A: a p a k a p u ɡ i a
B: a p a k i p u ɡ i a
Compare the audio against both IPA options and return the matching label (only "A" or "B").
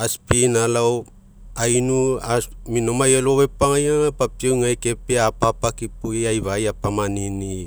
B